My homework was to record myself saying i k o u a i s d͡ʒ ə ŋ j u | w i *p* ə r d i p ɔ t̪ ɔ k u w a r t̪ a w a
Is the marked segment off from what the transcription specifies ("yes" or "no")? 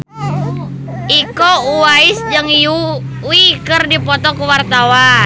yes